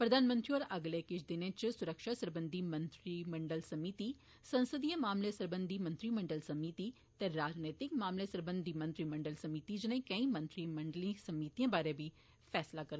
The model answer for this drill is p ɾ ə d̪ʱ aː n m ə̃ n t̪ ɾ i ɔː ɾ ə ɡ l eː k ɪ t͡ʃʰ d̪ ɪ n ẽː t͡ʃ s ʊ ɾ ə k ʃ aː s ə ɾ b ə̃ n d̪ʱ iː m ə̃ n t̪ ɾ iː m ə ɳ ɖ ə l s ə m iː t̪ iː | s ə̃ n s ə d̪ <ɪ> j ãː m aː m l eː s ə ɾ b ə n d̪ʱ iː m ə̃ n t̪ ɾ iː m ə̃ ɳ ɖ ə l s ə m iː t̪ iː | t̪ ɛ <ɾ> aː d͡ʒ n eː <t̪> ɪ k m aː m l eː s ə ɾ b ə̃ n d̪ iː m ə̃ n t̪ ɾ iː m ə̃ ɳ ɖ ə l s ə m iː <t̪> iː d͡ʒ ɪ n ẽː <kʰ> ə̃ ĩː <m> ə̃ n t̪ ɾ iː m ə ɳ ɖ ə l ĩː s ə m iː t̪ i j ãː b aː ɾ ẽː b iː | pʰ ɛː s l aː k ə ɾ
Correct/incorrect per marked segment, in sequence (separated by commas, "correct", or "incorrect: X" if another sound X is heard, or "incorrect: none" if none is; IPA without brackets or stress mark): incorrect: i, correct, correct, correct, incorrect: k, correct